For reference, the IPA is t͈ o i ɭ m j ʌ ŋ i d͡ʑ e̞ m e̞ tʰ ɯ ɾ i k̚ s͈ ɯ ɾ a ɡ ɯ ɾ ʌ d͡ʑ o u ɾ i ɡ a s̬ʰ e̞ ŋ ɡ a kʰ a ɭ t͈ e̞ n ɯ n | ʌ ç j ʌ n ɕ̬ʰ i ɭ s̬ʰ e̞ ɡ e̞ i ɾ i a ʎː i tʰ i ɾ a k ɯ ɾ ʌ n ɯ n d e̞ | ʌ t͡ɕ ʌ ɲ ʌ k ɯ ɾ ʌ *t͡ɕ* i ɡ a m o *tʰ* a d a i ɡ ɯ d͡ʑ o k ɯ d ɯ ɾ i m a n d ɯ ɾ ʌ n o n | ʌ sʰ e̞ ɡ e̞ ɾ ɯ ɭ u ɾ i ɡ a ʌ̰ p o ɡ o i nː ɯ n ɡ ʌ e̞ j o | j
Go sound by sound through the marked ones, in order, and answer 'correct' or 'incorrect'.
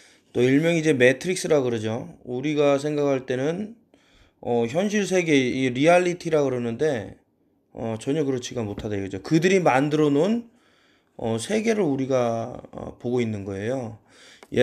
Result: incorrect, correct

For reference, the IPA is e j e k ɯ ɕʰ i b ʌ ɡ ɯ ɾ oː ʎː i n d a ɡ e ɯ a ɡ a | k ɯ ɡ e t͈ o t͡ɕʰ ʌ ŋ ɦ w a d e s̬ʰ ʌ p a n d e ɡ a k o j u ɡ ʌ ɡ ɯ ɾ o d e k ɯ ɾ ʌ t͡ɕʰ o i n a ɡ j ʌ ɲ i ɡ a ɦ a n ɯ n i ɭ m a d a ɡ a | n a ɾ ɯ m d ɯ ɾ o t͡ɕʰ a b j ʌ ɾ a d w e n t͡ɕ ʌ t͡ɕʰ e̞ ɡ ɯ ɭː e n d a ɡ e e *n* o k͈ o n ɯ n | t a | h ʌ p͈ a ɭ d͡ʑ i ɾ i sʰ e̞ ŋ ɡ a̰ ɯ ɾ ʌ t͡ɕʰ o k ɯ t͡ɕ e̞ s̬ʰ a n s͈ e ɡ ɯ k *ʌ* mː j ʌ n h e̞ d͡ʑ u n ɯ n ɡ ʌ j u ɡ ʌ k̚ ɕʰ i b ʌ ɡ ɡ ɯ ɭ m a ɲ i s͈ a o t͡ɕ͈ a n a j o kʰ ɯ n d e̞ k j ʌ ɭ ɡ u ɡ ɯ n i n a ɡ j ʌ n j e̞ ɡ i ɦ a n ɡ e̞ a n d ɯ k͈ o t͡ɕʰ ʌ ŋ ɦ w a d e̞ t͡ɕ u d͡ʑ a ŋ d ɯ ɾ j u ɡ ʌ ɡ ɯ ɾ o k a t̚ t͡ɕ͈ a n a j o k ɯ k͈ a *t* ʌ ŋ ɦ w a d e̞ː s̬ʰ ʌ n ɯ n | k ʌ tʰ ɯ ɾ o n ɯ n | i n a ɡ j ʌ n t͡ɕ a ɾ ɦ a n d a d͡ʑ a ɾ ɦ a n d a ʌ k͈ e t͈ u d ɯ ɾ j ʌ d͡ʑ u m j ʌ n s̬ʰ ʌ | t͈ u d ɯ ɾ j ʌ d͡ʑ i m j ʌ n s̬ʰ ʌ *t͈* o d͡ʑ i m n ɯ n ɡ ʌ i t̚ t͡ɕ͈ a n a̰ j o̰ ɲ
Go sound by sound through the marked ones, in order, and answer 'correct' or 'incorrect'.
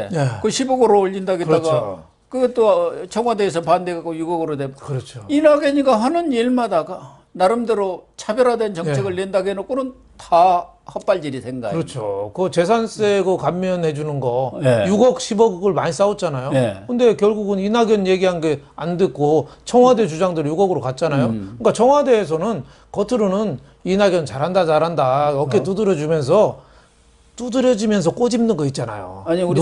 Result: correct, incorrect, incorrect, incorrect

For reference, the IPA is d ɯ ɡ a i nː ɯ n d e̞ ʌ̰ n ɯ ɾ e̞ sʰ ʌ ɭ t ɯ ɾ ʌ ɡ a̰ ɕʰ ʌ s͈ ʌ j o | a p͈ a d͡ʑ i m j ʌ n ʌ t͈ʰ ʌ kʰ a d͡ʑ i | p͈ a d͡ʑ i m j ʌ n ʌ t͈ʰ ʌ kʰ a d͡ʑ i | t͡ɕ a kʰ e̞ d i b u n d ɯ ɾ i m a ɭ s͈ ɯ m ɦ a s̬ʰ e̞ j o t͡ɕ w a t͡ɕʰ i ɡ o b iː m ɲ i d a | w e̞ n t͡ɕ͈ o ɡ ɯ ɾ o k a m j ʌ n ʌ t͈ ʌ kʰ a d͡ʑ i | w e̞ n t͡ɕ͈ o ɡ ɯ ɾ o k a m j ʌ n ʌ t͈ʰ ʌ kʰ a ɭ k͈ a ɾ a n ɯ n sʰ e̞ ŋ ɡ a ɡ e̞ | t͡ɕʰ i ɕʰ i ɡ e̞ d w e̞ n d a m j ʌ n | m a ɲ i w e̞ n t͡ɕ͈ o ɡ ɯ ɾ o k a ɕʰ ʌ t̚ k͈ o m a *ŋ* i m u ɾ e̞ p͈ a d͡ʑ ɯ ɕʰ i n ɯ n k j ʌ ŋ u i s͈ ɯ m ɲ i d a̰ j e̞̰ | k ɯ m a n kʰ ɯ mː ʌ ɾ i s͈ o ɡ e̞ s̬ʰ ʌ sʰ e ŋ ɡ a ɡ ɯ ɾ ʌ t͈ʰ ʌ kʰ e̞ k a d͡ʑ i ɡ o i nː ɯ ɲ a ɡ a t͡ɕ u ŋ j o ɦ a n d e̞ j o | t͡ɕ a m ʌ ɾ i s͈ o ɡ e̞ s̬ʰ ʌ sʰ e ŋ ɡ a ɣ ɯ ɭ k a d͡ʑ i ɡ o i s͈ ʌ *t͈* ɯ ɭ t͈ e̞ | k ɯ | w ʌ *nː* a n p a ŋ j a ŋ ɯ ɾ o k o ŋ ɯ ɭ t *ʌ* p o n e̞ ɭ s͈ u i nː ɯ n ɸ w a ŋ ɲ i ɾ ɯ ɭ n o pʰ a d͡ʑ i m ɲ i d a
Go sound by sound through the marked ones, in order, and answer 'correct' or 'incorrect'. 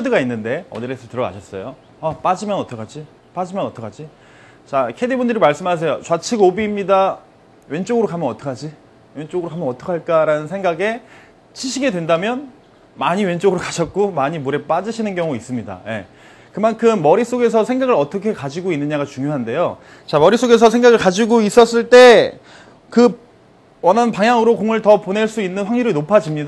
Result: incorrect, incorrect, incorrect, correct

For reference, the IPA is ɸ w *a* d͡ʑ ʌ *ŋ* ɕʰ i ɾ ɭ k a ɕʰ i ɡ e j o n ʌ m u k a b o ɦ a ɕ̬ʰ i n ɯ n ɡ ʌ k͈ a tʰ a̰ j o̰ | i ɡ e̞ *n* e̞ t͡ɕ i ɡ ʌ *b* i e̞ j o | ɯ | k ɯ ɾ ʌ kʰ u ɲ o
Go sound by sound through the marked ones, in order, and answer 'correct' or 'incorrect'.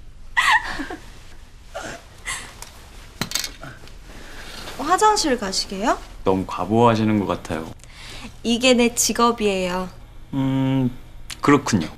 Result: correct, correct, correct, correct

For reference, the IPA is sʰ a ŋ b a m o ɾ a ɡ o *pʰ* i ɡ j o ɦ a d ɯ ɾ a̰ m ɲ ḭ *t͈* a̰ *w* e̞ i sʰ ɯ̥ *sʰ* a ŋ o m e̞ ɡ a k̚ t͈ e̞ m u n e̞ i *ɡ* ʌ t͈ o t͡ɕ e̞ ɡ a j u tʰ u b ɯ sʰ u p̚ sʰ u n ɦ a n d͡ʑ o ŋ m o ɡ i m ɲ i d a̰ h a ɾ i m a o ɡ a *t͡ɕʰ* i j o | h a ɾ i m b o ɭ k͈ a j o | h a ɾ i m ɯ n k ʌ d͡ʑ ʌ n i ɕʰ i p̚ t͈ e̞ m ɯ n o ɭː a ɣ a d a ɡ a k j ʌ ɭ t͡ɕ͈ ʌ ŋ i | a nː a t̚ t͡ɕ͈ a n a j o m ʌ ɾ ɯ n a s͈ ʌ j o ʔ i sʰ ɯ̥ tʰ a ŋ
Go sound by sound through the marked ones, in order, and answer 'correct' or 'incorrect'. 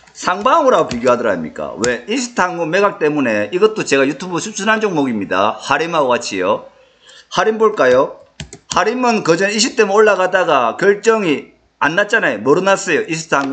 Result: incorrect, incorrect, correct, incorrect, correct, correct

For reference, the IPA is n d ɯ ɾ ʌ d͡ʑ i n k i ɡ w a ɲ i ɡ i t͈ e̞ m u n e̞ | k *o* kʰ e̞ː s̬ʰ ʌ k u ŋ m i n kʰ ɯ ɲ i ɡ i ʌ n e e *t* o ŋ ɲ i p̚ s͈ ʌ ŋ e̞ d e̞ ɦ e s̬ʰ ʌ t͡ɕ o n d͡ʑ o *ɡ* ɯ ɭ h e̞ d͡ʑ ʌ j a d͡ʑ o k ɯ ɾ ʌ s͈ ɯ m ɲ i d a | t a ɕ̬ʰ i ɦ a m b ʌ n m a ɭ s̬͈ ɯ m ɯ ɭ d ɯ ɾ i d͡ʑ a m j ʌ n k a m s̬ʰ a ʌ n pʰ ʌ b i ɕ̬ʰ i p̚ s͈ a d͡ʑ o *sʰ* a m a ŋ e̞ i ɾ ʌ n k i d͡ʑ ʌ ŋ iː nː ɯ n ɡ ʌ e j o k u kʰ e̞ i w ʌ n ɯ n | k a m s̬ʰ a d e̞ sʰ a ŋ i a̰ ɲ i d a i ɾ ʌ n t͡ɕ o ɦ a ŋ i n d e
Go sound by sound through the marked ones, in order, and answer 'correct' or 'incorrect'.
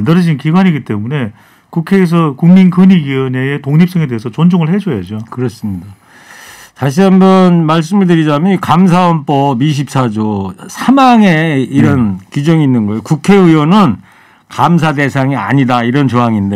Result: incorrect, correct, incorrect, correct

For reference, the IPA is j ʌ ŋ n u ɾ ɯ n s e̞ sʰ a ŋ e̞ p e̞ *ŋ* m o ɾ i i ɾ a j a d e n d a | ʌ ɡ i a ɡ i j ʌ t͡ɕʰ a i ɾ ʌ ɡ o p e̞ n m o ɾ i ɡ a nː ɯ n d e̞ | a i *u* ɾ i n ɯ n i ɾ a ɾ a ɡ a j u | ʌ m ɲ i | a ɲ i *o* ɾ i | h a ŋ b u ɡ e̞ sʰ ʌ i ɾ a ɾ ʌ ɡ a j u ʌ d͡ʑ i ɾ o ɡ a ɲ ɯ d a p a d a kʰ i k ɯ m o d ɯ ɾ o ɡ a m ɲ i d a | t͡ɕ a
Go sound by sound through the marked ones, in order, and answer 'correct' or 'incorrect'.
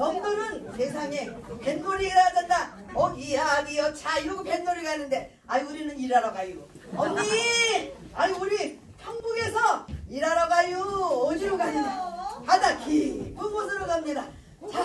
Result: incorrect, correct, incorrect

